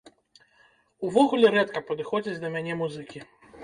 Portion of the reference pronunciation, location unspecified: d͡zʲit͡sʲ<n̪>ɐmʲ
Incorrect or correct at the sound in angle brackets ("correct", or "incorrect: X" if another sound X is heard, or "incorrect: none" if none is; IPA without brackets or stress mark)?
incorrect: d̪